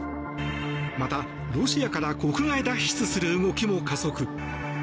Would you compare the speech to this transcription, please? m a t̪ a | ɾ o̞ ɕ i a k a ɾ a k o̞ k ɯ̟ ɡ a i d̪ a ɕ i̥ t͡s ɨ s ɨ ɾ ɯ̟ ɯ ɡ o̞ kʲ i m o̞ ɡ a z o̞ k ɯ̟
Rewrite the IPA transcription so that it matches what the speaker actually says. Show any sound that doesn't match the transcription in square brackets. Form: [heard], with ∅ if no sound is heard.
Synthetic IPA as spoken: m a t̪ a | ɾ o̞ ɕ i a k a ɾ a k o̞ k ɯ̟ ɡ a i d̪ a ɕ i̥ t͡s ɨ s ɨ ɾ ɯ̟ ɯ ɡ o̞ kʲ i m o̞ [k] a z o̞ k ɯ̟